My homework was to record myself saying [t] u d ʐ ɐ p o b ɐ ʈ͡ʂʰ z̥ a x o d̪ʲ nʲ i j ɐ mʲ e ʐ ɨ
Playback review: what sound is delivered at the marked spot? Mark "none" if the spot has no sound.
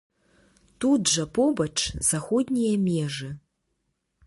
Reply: t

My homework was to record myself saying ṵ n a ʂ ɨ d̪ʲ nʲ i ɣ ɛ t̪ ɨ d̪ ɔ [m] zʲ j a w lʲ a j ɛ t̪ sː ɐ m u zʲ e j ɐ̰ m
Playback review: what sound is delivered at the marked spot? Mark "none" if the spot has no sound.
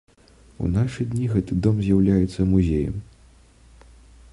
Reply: m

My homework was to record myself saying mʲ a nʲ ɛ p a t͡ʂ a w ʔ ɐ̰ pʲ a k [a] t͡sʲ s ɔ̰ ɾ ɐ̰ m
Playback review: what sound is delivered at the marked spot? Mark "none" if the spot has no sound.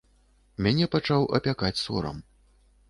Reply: a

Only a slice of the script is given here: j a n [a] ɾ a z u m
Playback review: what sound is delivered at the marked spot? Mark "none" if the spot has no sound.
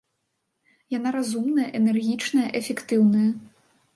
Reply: a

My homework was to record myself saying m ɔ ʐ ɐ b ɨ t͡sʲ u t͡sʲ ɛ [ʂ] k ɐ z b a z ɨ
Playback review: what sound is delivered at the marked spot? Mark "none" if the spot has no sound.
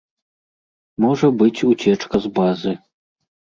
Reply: t͡ʂ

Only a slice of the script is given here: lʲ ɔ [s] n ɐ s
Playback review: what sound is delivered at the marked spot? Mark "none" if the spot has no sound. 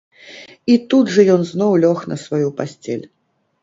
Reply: x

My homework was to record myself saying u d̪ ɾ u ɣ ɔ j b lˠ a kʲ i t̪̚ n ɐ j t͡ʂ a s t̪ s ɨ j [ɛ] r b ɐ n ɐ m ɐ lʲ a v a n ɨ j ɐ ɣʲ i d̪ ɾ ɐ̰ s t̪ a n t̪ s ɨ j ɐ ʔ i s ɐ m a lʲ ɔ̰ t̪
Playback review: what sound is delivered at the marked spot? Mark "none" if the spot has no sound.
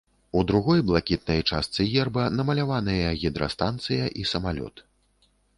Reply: ɛ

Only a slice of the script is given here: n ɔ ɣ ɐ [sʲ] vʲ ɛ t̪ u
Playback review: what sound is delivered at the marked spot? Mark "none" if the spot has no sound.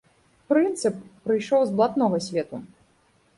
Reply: sʲ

